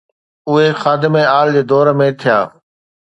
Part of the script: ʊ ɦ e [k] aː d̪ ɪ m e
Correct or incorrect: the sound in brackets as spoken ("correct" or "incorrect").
incorrect